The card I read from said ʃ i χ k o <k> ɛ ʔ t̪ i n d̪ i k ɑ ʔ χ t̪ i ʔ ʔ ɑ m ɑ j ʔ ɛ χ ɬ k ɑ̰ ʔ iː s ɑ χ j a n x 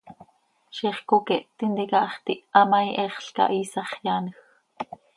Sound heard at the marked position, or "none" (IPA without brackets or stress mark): k